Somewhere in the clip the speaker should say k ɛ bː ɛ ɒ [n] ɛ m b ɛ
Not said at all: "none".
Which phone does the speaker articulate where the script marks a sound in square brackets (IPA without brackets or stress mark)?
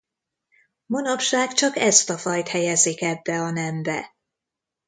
n